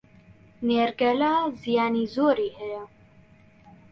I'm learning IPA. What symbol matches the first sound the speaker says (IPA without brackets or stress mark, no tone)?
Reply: n